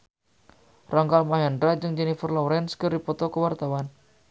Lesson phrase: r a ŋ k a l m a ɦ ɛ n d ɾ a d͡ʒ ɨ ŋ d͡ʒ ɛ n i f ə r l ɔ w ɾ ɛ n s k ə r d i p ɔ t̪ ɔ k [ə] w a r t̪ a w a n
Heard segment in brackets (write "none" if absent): ə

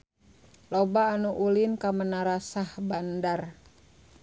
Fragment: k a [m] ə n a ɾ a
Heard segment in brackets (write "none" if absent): m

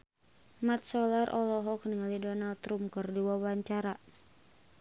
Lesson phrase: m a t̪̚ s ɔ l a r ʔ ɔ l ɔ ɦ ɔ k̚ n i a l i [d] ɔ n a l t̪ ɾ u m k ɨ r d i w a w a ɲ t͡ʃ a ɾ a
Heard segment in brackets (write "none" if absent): d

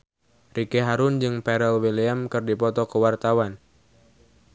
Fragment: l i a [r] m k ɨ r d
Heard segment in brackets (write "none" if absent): none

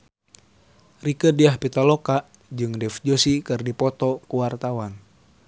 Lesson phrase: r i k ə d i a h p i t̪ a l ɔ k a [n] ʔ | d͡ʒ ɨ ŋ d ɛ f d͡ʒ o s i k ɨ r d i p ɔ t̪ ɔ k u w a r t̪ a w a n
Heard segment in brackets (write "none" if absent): none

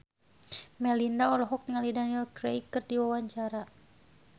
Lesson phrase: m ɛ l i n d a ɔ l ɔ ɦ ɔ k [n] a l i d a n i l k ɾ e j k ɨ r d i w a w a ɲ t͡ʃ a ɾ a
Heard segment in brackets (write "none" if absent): ŋ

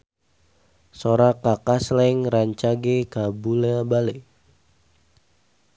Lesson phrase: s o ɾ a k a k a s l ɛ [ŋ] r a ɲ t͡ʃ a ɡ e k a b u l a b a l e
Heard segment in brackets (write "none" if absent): ŋ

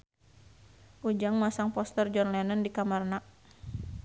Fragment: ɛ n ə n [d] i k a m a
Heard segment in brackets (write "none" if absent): d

